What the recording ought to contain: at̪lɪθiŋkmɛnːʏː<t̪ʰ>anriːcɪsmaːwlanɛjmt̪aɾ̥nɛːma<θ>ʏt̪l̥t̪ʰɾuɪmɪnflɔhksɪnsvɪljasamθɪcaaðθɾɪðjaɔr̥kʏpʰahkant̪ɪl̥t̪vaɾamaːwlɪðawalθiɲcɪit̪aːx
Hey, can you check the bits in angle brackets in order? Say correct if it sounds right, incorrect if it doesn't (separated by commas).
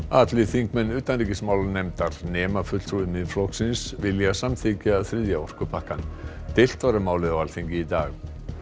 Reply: incorrect, incorrect